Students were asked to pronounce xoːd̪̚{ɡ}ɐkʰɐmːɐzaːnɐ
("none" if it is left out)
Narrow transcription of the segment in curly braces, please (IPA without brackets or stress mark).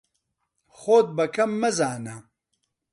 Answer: b